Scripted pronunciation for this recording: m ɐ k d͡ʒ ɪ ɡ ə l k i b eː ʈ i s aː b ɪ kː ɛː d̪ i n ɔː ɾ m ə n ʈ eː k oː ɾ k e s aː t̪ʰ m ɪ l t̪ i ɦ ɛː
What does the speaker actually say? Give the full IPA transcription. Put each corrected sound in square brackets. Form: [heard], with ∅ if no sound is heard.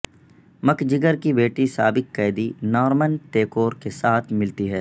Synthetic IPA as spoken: m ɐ k d͡ʒ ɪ ɡ ə [ɾ] k i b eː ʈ i s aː b ɪ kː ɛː d̪ i n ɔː ɾ m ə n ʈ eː k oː ɾ k e s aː t̪ʰ m ɪ l t̪ i ɦ ɛː